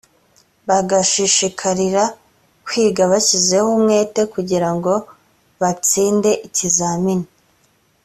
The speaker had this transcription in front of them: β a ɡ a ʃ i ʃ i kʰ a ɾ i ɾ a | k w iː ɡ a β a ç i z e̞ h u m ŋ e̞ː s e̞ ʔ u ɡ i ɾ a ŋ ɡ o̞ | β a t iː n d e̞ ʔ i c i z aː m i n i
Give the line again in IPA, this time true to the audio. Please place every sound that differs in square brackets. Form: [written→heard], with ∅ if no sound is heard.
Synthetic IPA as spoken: β a ɡ a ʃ i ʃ i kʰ a ɾ i ɾ a | k w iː ɡ a β a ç i z e̞ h u m ŋ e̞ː [s→t] e̞ [ʔ→k] u [ɡ→ɟ] i ɾ a ŋ ɡ o̞ | β a [t→t͡s] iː n d e̞ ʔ i c i z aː m i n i